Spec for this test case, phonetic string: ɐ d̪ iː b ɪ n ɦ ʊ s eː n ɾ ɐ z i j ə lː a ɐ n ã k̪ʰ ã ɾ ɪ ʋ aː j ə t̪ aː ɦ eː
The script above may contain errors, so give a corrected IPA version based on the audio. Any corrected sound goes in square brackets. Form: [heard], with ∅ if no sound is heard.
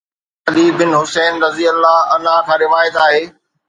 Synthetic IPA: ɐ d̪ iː b ɪ n ɦ ʊ s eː n ɾ ɐ z i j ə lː a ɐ n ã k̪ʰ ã ɾ ɪ ʋ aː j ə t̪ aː ɦ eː